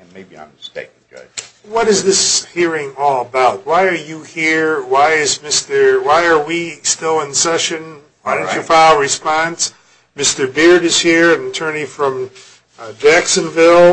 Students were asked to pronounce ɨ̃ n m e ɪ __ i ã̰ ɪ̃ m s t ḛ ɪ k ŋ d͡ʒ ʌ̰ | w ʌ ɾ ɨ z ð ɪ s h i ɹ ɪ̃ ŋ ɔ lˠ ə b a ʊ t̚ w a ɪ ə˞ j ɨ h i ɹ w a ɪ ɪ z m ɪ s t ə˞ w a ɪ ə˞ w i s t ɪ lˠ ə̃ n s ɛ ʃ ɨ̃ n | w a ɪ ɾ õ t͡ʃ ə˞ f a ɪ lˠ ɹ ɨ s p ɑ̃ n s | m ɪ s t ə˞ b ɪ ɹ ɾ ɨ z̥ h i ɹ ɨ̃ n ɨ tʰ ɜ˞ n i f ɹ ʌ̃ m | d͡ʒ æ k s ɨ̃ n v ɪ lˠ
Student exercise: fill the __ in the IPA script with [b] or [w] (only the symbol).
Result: b